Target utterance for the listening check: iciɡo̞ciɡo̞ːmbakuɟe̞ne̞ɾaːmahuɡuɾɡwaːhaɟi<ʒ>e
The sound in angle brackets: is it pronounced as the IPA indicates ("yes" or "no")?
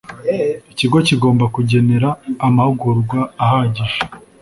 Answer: yes